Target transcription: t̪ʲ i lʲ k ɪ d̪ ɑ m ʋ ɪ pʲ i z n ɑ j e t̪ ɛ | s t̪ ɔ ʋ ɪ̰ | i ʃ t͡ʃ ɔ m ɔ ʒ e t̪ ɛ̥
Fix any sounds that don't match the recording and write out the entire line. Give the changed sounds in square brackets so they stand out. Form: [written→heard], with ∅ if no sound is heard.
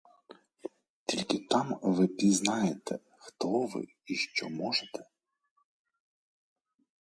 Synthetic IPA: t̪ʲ i lʲ k ɪ [d̪→t̪] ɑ m ʋ ɪ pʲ i z n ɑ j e t̪ ɛ | [s→x] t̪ ɔ ʋ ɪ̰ | i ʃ t͡ʃ ɔ m ɔ ʒ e t̪ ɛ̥

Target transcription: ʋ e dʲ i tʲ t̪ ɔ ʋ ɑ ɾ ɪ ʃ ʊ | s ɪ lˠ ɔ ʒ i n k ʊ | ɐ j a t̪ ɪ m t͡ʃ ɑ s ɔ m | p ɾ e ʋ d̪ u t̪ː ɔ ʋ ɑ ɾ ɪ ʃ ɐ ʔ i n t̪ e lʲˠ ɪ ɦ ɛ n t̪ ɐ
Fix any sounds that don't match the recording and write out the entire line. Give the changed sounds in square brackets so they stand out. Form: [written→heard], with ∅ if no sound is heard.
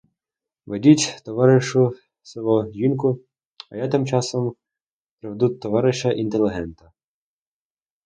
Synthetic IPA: ʋ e dʲ i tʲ t̪ ɔ ʋ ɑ ɾ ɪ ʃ ʊ | s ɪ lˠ ɔ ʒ i n k ʊ | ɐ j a t̪ ɪ m t͡ʃ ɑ s ɔ m | p ɾ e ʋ d̪ u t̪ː ɔ ʋ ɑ ɾ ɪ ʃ ɐ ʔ i n t̪ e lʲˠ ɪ ɦ ɛ n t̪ ɐ

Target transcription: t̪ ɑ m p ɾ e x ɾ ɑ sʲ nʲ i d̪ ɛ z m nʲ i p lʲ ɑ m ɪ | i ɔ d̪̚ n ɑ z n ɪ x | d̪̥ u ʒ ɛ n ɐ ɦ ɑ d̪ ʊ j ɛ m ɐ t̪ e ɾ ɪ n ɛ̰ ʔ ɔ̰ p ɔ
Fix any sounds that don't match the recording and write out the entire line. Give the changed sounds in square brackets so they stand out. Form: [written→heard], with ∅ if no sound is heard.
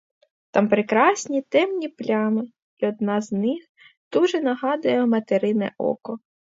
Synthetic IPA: t̪ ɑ m p ɾ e [x→k] ɾ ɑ sʲ nʲ i [d̪→t̪] ɛ [z→∅] m nʲ i p lʲ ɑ m ɪ | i ɔ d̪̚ n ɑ z n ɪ x | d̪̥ u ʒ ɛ n ɐ ɦ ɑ d̪ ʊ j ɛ m ɐ t̪ e ɾ ɪ n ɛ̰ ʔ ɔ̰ [p→k] ɔ

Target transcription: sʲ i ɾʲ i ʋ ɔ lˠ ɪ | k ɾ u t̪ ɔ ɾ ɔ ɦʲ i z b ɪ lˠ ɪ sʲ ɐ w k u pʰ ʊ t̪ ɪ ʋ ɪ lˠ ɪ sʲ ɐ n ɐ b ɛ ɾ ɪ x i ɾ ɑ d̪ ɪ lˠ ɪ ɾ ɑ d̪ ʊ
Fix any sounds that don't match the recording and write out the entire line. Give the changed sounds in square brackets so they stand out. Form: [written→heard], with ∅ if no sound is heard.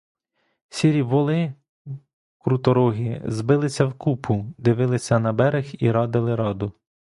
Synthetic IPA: sʲ i ɾʲ i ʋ ɔ lˠ ɪ | k ɾ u t̪ ɔ ɾ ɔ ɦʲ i z b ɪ lˠ ɪ sʲ ɐ w k u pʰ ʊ [t̪→d̪] ɪ ʋ ɪ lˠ ɪ sʲ ɐ n ɐ b ɛ ɾ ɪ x i ɾ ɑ d̪ ɪ lˠ ɪ ɾ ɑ d̪ ʊ

